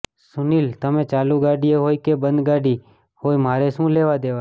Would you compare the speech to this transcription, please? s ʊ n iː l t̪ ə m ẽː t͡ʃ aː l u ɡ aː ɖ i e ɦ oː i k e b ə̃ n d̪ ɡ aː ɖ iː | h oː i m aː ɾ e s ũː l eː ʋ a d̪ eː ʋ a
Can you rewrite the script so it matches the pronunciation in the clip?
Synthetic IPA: s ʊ n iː l t̪ ə m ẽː t͡ʃ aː l u ɡ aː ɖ i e ɦ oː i k e b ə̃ n d̪ ɡ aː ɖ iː | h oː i m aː ɾ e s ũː l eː ʋ a d̪ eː ʋ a